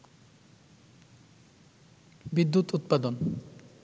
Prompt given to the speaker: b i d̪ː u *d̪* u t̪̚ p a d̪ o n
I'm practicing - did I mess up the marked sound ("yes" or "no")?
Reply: yes